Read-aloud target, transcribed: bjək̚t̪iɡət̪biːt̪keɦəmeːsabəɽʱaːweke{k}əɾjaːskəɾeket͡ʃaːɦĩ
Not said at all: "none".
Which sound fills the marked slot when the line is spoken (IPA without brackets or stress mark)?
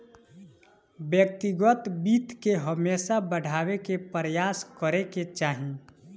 p